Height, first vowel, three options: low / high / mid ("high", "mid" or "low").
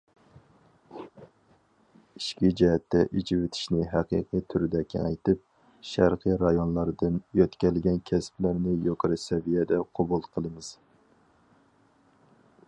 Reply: high